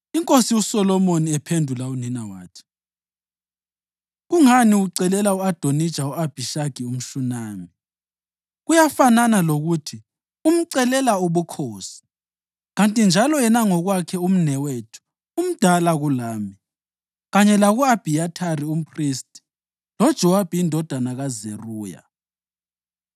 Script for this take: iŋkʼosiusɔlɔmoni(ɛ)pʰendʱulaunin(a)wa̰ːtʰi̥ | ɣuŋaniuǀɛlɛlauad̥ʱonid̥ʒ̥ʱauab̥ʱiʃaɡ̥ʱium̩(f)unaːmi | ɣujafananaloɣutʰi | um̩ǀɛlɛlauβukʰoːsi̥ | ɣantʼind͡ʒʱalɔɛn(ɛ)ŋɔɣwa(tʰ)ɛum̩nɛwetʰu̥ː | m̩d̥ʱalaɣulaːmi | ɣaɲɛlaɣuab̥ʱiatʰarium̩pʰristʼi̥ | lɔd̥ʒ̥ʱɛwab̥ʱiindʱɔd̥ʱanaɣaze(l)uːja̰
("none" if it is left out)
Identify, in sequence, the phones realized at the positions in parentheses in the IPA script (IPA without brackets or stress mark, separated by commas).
ɛ, a, ʃ, a, kʰ, r